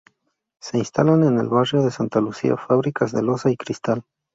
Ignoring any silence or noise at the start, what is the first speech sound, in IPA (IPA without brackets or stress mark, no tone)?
s